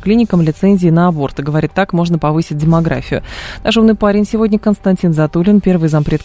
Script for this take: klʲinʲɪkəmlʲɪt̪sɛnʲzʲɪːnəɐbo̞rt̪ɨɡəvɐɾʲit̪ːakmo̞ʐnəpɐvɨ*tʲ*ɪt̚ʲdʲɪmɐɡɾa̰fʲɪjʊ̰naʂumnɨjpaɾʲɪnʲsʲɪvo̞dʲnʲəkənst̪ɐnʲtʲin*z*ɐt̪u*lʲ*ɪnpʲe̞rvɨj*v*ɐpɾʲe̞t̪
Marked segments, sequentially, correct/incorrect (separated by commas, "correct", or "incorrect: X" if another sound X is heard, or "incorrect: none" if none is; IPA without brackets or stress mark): incorrect: sʲ, correct, correct, incorrect: z